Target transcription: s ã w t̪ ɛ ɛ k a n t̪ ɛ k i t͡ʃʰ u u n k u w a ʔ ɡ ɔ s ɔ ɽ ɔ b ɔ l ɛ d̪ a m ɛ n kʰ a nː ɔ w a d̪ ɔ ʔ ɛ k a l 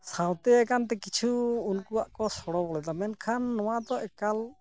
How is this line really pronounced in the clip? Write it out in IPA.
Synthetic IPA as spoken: s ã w t̪ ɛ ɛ k a n t̪ ɛ k i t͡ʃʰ u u n k u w a ʔ k ɔ s ɔ ɽ ɔ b ɔ l ɛ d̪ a m ɛ n kʰ a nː ɔ w a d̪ ɔ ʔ ɛ k a l